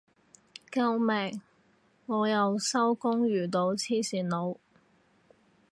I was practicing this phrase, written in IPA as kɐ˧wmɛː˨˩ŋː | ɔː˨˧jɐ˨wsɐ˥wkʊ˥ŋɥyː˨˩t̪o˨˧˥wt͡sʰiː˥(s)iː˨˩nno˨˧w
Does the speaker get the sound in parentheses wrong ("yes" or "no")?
no